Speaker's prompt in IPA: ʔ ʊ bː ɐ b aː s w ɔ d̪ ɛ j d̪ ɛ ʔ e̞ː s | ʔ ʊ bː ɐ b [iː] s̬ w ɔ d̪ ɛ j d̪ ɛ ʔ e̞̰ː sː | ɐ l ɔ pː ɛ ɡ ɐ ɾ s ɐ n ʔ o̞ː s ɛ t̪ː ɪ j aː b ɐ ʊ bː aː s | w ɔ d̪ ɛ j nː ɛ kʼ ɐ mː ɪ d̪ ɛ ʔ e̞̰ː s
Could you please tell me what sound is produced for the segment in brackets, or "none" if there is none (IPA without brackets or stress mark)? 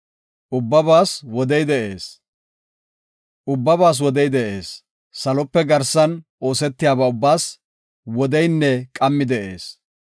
aː